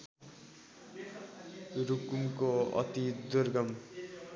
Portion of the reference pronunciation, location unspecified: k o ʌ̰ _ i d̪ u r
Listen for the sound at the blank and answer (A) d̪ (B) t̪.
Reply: B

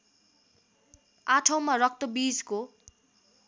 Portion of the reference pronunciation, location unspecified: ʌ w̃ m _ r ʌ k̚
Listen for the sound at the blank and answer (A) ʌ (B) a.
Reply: B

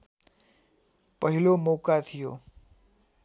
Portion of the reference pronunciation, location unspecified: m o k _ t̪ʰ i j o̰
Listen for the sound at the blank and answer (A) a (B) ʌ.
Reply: A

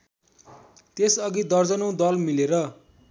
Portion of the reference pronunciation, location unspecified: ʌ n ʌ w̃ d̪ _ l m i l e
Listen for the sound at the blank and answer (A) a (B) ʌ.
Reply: B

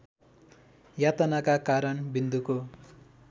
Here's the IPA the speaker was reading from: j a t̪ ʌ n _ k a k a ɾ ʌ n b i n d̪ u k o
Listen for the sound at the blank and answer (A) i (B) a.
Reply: B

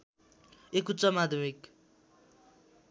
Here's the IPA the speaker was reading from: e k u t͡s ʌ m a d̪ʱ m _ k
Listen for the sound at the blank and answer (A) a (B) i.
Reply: B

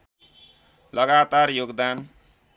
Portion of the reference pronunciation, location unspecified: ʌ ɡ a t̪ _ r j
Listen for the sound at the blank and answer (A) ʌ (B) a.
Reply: B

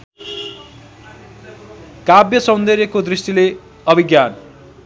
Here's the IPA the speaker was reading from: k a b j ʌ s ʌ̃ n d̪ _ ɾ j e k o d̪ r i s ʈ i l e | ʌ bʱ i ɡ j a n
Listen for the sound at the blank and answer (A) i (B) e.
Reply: B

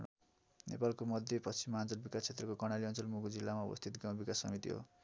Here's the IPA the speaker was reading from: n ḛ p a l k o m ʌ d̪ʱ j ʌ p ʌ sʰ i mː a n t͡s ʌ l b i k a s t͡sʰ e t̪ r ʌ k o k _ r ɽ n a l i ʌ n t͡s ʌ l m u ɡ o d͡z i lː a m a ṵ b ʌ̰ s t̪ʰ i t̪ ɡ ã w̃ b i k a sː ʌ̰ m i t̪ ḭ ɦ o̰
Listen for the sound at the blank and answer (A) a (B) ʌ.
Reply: B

